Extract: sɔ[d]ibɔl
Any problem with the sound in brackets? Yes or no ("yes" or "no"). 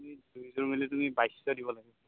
no